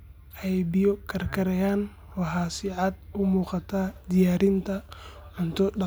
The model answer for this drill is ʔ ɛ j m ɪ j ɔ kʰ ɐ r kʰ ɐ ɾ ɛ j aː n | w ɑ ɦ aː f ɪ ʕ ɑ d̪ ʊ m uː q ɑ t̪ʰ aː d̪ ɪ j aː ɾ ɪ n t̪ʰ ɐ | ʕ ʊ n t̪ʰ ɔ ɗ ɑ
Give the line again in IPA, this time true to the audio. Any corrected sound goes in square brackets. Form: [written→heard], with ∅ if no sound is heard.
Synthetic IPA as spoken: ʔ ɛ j [m→b] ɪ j ɔ kʰ ɐ r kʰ ɐ ɾ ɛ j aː n | w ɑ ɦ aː [f→s] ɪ ʕ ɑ d̪ ʊ m uː q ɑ t̪ʰ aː d̪ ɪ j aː ɾ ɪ n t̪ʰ ɐ | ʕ ʊ n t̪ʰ ɔ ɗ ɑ